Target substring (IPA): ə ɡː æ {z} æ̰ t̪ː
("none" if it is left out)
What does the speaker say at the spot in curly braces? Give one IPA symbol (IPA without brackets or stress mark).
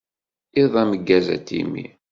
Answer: z